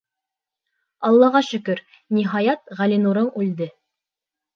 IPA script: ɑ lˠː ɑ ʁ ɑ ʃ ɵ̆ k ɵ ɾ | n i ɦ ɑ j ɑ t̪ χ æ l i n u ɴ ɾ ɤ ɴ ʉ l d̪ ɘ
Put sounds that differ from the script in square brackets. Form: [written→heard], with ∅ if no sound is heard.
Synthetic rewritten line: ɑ lˠː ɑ ʁ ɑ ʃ ɵ̆ k ɵ ɾ | n i ɦ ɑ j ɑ t̪ [χ→ʁ] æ l i n u [ɴ→∅] ɾ ɤ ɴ ʉ l d̪ ɘ

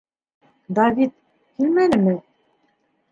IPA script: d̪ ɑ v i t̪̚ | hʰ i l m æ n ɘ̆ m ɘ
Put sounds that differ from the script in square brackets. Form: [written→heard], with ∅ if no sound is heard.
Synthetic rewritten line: d̪ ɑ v i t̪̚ | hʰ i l m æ n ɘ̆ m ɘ

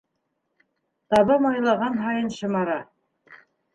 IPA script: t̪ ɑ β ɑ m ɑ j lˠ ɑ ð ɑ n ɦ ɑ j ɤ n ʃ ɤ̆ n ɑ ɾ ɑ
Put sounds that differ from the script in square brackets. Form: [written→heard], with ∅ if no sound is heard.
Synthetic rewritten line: t̪ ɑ β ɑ m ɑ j lˠ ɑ [ð→ʁ] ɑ n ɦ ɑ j ɤ n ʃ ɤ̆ [n→m] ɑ ɾ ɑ

